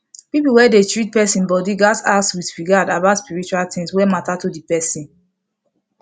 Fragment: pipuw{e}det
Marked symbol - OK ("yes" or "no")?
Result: no